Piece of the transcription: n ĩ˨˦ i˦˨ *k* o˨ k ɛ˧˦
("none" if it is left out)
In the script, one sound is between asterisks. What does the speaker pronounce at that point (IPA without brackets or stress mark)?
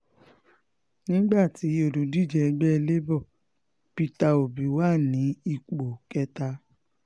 k͡p